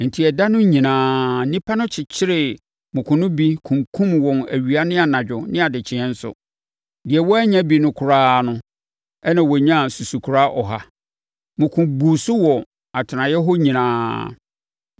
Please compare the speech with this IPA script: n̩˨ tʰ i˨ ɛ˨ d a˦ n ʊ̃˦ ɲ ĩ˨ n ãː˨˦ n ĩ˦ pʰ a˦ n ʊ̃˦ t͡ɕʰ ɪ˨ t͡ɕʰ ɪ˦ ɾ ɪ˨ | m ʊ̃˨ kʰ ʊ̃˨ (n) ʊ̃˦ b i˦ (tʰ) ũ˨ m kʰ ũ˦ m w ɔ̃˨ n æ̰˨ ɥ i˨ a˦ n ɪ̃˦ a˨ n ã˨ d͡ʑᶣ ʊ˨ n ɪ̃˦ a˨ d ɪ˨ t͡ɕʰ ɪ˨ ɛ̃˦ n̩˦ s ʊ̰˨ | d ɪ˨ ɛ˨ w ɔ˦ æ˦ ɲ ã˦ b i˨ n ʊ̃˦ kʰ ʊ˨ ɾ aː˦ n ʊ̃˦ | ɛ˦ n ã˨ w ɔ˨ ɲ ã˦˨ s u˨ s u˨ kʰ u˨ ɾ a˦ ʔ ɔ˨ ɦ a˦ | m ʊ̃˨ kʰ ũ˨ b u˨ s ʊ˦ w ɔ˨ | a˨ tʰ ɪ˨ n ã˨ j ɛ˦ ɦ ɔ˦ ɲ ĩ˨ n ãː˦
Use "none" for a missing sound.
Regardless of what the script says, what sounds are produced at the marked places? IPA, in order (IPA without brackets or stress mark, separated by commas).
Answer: n, kʰ